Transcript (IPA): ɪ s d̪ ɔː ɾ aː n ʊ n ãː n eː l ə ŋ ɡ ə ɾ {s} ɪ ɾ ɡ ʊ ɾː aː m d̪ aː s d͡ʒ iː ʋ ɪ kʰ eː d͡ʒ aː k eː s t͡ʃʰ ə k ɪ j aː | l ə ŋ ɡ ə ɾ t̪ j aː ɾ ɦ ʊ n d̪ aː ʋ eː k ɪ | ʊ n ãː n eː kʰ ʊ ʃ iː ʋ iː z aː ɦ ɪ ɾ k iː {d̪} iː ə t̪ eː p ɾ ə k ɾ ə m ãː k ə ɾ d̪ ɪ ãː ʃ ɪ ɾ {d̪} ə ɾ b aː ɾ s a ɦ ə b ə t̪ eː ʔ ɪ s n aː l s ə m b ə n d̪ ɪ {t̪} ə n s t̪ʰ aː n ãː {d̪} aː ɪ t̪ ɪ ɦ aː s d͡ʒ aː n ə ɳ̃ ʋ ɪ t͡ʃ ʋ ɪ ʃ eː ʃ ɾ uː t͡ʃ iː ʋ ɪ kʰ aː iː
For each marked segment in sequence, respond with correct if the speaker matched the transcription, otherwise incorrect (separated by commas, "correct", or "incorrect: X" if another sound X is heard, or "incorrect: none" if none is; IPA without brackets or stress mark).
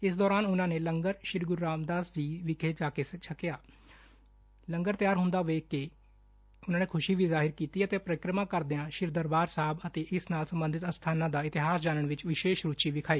incorrect: ʃ, incorrect: t̪, correct, correct, correct